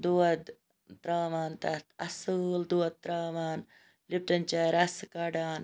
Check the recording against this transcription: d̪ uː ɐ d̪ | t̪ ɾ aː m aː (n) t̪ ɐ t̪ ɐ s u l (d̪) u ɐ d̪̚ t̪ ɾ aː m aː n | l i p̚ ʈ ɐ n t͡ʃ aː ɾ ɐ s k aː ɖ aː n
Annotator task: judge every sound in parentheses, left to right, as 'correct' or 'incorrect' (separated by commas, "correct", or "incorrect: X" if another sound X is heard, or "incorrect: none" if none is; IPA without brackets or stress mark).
correct, correct